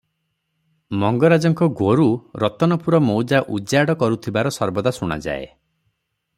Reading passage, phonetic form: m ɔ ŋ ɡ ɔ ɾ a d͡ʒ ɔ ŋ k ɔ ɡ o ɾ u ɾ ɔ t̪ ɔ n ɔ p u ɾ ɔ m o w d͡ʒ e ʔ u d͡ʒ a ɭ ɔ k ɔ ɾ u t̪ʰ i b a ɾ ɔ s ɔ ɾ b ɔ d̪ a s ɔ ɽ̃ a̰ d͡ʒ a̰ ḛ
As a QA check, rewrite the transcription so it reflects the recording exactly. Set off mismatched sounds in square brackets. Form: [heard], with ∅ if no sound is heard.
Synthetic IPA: m ɔ ŋ ɡ ɔ ɾ a d͡ʒ ɔ ŋ k ɔ ɡ o ɾ u ɾ ɔ t̪ ɔ n ɔ p u ɾ ɔ m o w d͡ʒ [a] ʔ u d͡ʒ a [ɽ] ɔ k ɔ ɾ u t̪ʰ i b a ɾ ɔ s ɔ ɾ b ɔ d̪ a s [u] ɽ̃ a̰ d͡ʒ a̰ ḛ